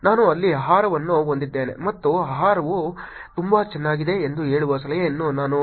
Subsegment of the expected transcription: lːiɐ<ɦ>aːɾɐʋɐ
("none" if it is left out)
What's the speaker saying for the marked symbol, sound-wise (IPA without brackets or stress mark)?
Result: ɦ